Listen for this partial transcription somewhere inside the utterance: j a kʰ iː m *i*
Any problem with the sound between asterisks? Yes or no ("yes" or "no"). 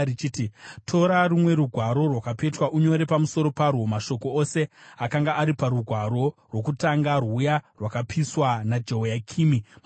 no